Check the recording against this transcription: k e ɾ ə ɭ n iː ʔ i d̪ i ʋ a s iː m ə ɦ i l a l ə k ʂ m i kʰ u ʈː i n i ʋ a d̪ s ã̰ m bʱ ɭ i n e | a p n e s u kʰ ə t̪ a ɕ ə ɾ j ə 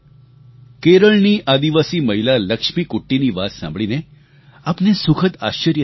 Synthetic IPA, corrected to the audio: k e ɾ ə ɭ n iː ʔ a d̪ i ʋ a s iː m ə ɦ i l a l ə k ʂ m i k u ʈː i n i ʋ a t̪ s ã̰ m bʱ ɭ i n e | a p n e s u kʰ ə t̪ a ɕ ə ɾ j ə